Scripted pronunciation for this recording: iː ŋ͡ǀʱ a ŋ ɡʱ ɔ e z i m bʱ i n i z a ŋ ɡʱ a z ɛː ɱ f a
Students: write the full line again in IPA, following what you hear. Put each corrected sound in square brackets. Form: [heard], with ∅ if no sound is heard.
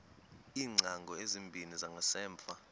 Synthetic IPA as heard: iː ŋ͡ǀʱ a ŋ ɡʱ ɔ e z i m bʱ i n i z a ŋ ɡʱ a [s] ɛː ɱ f a

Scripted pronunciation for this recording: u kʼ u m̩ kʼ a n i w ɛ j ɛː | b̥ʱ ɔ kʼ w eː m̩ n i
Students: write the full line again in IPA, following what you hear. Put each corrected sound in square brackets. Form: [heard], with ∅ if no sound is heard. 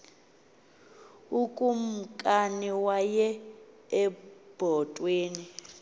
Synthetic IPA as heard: u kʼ u m̩ kʼ a n i w [a] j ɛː | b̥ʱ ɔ [tʼ] w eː [∅] n i

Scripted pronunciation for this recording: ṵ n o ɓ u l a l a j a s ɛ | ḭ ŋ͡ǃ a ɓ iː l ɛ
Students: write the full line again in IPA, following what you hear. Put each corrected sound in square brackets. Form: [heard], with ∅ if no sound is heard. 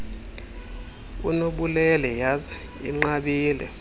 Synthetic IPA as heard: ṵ n o ɓ u l [ɛ] l [ɛ] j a [z] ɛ | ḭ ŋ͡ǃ a ɓ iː l ɛ

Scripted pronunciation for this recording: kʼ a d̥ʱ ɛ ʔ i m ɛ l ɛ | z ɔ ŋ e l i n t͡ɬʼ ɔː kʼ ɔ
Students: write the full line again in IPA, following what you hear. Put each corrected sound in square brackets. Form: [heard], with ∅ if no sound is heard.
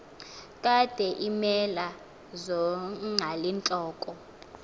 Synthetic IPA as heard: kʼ a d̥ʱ ɛ ʔ i m ɛ l [a] | z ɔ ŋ [a] l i n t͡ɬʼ ɔː kʼ ɔ

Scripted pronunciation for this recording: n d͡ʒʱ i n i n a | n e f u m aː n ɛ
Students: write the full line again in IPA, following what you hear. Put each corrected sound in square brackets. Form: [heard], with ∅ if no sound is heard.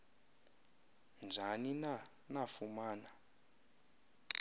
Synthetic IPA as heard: n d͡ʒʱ [a] n i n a | n [a] f u m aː n [a]

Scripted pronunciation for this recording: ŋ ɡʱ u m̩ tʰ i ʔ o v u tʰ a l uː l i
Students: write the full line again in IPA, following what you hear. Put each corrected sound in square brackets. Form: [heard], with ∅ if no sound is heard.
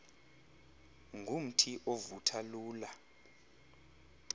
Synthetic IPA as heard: ŋ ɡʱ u m̩ tʰ i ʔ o v u tʰ a l uː l [a]

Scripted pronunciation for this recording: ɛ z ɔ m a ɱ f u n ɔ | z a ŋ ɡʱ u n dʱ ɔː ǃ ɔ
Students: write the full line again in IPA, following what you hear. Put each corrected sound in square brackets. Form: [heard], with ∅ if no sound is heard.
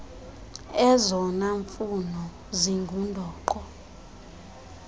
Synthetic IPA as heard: ɛ z ɔ [n] a ɱ f u n ɔ | z [i] ŋ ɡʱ u n dʱ ɔː ǃ ɔ

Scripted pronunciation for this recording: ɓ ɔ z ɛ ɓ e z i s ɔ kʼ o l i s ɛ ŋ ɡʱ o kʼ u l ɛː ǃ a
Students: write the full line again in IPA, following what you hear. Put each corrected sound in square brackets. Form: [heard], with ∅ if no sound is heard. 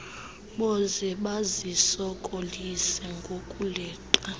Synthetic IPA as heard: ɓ ɔ z ɛ ɓ [a] z i s ɔ kʼ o l i s ɛ ŋ ɡʱ o kʼ u l ɛː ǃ a

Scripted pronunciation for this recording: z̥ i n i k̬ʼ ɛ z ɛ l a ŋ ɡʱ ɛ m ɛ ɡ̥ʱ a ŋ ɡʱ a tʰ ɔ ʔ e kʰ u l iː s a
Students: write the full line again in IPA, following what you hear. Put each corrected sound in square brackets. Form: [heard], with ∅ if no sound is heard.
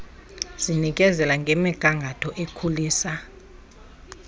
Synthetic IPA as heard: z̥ i n i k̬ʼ ɛ z ɛ l a ŋ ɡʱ ɛ m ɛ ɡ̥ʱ a ŋ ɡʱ a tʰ ɔ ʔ e kʰ u l iː s a

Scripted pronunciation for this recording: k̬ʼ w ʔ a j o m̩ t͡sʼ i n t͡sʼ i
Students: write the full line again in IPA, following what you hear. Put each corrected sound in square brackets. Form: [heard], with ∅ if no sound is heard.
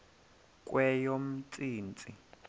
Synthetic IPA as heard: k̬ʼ w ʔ [ɛ] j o m̩ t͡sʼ [iː] n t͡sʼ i

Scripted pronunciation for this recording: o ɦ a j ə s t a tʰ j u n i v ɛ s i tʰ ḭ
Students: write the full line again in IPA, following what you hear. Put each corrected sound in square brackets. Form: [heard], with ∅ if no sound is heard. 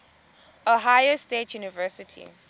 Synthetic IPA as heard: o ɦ a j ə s t [e] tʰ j u n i v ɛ s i tʰ ḭ

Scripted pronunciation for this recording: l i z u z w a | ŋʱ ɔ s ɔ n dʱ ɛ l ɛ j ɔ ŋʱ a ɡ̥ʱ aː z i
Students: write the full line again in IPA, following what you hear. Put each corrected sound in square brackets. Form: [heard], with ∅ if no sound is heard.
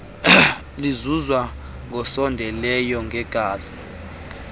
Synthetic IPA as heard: l i z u z w a | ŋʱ ɔ s ɔ n dʱ ɛ l ɛ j ɔ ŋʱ [ɛ] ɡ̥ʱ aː z i

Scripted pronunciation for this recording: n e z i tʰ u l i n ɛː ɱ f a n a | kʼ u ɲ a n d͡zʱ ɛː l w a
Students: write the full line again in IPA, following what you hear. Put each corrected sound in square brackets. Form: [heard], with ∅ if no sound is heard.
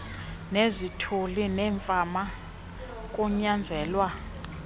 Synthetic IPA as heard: n e z i tʰ u l i n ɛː ɱ f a [m] a | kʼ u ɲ a n d͡zʱ ɛː l w a

